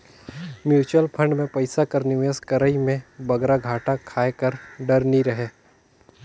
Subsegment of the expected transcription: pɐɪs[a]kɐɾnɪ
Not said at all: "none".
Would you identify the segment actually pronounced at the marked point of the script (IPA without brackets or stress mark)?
a